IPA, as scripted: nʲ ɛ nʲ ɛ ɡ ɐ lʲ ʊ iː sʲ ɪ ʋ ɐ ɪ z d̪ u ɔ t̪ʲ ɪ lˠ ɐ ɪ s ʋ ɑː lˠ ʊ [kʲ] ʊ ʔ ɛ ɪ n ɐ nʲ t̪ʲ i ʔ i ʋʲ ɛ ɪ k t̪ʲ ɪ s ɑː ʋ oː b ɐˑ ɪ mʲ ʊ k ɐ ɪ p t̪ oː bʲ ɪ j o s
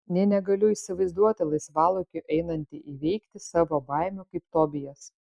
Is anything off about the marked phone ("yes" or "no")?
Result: no